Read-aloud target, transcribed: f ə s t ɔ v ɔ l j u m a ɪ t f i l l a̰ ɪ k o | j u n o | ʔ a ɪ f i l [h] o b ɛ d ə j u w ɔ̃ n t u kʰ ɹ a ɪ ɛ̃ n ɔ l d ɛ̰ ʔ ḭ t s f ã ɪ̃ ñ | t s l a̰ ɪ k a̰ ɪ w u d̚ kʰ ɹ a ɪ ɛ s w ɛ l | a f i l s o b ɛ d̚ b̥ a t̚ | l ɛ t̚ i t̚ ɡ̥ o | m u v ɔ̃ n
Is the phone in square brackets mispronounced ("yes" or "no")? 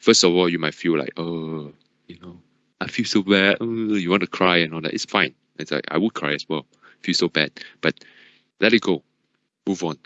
yes